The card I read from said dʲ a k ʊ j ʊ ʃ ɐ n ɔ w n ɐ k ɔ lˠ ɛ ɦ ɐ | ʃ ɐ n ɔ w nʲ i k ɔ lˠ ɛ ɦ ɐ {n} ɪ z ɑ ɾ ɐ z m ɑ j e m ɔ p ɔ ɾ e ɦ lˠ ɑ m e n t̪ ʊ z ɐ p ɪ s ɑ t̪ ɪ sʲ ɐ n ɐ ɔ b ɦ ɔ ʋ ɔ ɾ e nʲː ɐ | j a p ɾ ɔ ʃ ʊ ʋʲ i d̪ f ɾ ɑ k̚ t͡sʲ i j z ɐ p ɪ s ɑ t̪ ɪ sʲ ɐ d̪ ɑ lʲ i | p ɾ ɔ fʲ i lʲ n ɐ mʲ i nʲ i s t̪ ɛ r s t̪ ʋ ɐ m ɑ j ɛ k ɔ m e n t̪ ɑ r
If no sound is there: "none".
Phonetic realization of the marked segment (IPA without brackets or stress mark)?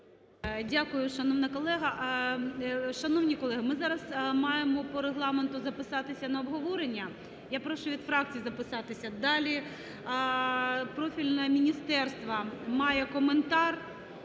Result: m